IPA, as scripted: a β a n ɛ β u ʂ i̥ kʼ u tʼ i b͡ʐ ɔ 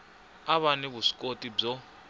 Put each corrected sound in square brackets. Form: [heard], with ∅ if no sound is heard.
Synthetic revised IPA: a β a n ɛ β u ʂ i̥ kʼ [o] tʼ i b͡ʐ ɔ